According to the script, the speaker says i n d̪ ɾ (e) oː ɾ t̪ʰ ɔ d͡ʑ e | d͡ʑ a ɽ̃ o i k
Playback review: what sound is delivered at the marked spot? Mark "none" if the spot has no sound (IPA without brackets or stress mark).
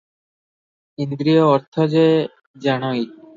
i